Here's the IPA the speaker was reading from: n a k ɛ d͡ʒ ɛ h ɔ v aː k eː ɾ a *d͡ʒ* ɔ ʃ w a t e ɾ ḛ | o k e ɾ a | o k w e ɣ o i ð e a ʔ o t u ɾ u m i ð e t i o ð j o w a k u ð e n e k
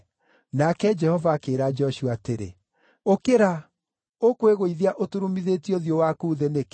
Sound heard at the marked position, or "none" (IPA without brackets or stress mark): d͡ʒ